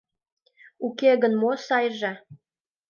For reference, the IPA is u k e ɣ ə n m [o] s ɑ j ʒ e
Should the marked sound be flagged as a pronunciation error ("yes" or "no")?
no